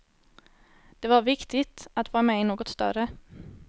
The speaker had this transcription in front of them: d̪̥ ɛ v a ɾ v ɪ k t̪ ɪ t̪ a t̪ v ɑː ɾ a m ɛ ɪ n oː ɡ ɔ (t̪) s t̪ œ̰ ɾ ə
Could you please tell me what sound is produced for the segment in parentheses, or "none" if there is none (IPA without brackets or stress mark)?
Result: t̪